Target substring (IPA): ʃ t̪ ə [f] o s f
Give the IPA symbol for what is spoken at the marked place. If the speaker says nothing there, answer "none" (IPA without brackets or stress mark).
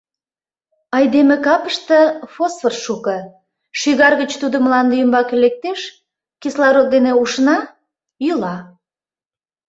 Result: f